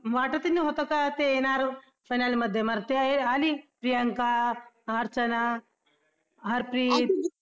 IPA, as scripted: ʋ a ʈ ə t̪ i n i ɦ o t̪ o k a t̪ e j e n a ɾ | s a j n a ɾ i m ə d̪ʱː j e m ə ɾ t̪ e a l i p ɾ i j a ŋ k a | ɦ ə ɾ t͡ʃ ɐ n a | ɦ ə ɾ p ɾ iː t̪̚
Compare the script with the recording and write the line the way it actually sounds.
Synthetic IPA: ʋ a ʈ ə t̪ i n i ɦ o t̪ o k a t̪ e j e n a ɾ | f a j n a l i m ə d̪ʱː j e m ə ɾ t̪ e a l i p ɾ i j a ŋ k a | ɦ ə ɾ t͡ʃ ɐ n a | ɦ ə ɾ p ɾ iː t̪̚